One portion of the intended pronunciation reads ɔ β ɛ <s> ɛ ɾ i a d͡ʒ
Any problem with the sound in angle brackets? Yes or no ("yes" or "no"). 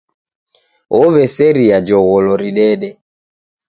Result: no